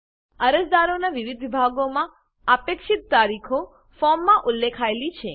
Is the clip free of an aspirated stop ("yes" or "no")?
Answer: no